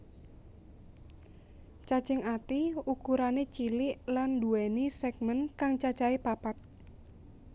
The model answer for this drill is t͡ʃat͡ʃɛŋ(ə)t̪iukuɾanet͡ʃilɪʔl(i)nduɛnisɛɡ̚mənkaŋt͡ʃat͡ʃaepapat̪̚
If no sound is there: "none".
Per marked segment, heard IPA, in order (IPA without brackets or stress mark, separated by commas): a, a